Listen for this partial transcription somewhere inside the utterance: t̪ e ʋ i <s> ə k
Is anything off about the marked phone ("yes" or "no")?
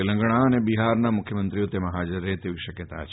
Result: yes